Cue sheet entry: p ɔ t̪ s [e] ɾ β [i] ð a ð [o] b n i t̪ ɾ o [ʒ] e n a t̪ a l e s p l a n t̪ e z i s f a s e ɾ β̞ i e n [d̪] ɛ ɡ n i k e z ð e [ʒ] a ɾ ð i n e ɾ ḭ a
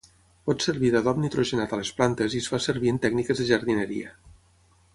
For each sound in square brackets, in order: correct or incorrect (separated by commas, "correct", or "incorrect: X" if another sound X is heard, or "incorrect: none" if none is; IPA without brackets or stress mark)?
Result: correct, correct, incorrect: ɔ, correct, incorrect: t̪, correct